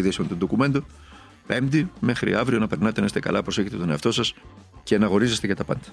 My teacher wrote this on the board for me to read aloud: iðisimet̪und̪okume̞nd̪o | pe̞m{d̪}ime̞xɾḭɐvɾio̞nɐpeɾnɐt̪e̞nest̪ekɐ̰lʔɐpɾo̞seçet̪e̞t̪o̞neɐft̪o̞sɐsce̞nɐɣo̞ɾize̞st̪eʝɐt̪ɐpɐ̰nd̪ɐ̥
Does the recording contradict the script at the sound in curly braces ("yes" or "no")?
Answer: no